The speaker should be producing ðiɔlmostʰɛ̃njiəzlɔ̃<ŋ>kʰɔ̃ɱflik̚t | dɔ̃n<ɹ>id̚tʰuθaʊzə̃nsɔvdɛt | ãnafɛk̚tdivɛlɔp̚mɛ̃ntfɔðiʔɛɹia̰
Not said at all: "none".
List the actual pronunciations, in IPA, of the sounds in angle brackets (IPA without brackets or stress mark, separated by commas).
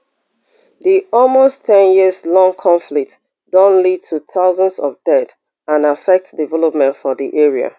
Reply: ŋ, l